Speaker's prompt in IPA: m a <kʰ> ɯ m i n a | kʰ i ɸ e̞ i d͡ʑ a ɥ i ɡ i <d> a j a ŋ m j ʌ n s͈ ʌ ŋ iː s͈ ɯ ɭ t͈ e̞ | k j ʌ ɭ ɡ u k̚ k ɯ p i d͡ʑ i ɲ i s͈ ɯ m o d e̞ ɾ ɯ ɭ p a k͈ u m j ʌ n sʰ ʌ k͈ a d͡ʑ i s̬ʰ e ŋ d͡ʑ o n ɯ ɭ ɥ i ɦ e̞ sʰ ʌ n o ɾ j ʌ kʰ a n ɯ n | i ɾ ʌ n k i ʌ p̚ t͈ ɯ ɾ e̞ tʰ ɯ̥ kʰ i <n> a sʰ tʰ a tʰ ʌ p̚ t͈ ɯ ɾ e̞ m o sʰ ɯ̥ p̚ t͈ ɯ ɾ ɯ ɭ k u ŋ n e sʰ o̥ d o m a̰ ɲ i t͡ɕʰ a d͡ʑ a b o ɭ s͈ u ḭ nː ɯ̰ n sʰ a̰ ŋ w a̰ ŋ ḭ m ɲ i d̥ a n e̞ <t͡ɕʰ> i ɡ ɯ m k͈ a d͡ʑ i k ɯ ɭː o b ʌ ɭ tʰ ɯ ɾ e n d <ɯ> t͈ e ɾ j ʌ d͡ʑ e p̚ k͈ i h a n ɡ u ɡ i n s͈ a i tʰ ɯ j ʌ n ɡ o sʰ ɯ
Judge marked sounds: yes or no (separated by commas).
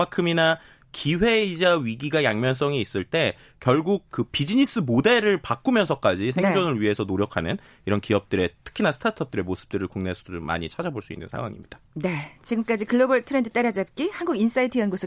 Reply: yes, no, yes, no, yes